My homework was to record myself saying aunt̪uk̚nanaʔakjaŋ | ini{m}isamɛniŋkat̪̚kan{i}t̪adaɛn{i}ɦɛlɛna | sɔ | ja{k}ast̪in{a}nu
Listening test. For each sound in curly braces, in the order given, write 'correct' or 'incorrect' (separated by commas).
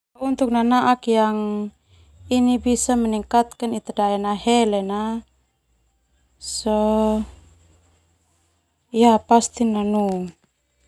incorrect, correct, incorrect, incorrect, correct